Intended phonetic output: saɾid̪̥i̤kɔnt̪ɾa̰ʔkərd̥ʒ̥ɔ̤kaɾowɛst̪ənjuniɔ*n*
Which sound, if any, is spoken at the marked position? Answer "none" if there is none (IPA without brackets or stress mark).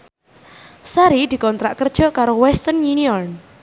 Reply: n